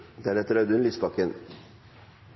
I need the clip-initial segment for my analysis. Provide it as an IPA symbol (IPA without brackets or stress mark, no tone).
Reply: d̪